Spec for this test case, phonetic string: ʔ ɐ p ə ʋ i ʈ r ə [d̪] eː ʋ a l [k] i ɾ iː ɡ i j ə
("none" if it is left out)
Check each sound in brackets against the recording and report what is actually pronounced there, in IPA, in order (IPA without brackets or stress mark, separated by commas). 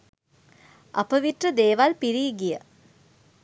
d̪, p